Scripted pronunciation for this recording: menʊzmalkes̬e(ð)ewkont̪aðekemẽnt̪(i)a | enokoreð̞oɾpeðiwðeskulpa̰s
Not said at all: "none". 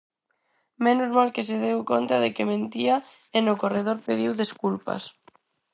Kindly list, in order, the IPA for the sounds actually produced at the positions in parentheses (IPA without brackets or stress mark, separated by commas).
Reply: ð, i